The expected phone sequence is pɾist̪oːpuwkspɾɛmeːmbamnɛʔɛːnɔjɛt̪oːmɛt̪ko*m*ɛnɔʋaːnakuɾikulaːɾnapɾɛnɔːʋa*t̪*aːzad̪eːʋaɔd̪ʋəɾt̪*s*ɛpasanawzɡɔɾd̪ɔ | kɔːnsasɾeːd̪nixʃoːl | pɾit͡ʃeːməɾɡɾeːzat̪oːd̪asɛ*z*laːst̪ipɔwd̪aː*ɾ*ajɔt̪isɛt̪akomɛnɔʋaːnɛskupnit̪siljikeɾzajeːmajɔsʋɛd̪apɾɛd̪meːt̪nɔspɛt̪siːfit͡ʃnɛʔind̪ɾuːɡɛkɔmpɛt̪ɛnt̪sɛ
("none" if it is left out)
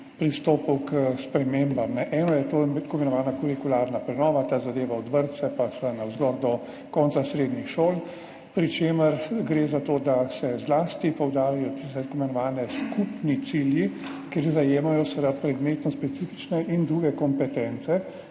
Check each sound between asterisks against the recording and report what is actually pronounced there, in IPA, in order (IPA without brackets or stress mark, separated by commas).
m, t̪, s, z, ɾ